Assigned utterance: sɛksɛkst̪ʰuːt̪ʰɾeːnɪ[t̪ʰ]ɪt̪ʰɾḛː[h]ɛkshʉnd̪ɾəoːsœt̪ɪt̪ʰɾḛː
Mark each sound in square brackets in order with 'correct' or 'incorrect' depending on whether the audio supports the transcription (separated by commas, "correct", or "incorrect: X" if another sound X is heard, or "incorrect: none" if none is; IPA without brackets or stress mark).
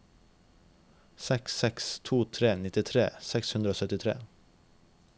incorrect: t̪, incorrect: s